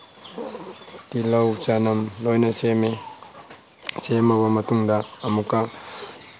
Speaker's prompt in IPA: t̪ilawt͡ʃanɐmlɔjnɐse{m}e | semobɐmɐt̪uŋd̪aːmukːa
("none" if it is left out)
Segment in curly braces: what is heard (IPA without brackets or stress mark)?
m